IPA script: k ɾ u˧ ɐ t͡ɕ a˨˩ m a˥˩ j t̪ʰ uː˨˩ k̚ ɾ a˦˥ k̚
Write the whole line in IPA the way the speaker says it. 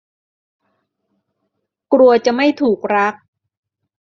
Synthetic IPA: k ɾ u˧ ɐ t͡ɕ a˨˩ m a˥˩ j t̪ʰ uː˨˩ k̚ ɾ a˦˥ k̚